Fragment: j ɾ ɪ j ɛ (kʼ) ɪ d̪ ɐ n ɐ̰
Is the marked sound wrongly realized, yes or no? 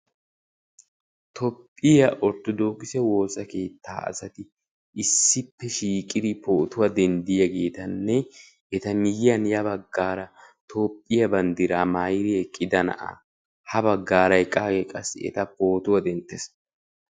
no